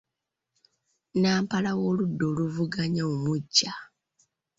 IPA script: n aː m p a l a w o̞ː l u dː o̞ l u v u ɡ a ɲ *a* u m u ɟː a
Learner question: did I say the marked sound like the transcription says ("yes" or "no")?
yes